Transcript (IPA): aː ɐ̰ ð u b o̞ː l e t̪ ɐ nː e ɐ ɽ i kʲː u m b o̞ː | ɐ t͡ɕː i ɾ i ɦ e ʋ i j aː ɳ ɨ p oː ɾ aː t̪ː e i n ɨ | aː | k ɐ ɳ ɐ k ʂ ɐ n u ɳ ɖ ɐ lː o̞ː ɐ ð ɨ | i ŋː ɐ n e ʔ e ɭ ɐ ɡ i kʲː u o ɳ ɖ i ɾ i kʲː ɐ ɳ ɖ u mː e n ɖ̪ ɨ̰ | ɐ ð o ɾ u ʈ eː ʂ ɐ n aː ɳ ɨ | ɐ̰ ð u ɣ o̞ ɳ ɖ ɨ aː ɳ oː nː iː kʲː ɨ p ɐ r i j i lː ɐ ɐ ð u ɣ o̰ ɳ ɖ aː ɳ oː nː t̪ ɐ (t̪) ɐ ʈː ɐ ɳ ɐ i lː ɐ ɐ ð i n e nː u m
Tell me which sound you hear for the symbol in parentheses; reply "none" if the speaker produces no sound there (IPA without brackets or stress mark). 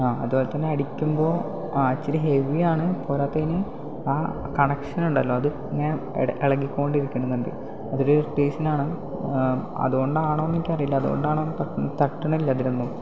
t̪